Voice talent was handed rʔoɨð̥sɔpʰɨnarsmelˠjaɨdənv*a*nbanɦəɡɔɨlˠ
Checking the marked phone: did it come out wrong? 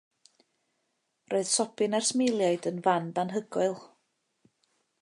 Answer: no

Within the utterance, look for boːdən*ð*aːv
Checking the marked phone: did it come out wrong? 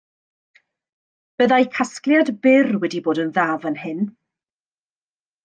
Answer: no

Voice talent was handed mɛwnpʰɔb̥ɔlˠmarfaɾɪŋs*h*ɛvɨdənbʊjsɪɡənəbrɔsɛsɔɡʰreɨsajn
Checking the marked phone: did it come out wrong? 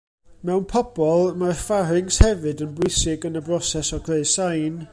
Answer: no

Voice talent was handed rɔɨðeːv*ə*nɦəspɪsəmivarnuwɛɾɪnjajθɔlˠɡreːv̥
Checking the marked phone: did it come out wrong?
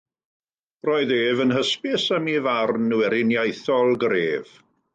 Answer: no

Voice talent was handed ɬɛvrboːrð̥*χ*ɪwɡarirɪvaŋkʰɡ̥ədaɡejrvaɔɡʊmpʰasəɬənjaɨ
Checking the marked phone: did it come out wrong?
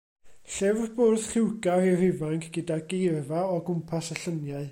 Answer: no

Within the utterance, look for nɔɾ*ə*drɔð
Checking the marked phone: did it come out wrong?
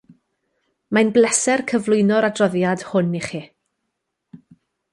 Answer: yes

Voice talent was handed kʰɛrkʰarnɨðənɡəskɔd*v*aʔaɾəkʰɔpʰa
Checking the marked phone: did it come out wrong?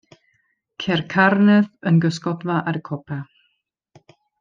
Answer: no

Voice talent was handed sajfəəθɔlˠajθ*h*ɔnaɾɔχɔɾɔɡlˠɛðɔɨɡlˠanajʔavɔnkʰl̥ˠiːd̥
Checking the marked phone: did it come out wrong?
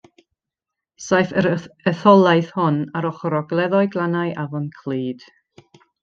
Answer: no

